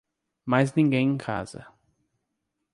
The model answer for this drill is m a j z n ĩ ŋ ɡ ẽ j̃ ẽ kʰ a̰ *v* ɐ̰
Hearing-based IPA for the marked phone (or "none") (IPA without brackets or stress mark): z